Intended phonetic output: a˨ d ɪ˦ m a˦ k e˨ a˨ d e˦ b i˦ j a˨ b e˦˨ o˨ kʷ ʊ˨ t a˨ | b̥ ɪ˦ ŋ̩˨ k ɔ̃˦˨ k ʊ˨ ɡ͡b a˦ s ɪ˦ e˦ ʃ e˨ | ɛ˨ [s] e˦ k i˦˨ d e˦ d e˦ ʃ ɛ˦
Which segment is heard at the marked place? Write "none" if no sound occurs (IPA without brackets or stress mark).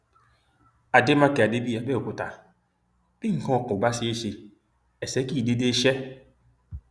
s